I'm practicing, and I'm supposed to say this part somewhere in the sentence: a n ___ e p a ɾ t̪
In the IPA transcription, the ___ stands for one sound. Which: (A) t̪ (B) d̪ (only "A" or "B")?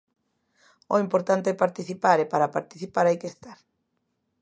A